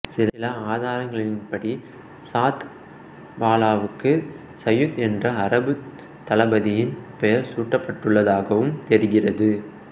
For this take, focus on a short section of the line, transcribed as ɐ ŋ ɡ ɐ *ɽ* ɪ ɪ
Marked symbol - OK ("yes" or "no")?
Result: no